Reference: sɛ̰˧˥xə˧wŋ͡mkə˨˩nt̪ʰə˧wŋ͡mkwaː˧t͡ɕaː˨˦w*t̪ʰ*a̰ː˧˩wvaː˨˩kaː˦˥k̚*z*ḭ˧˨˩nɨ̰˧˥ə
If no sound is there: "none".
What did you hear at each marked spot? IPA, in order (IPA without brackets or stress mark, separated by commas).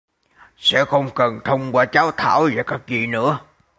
t̪ʰ, z